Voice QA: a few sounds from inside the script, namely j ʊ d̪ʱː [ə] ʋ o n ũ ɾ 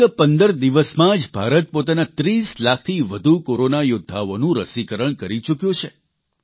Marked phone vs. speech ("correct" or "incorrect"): incorrect